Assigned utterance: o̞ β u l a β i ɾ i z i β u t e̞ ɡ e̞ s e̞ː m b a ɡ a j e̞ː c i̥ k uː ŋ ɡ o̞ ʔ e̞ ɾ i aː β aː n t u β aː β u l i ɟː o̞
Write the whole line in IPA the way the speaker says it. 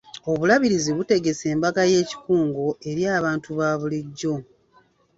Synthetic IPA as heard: o̞ β u l a β i ɾ i z i β u t e̞ ɡ e̞ s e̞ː m b a ɡ a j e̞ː c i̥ k uː ŋ ɡ o̞ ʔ e̞ ɾ j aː β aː n t u β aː β u l i ɟː o̞